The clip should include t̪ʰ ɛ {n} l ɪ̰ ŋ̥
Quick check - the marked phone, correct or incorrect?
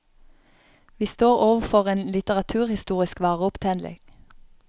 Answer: correct